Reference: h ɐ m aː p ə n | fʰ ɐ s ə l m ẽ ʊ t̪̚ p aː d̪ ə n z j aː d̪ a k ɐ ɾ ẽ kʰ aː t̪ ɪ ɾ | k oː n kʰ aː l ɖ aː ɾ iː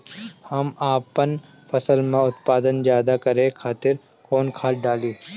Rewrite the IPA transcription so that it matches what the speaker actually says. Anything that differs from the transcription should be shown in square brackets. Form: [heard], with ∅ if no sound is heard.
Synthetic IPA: h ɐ m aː p ə n | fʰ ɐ s ə l m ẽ ʊ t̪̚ p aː d̪ ə n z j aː d̪ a k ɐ ɾ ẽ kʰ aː t̪ ɪ ɾ | k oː n kʰ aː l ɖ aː [l] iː